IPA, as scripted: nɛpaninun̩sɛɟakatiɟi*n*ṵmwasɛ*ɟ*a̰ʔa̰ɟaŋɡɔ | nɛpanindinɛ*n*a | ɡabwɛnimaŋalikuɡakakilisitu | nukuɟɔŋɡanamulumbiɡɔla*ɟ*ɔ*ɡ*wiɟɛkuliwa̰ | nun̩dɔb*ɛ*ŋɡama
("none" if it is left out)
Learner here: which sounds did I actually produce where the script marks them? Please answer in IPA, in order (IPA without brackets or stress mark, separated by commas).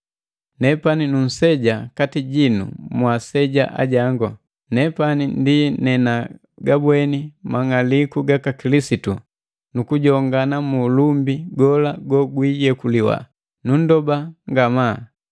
n, ɟ, n, ɡ, ɡ, a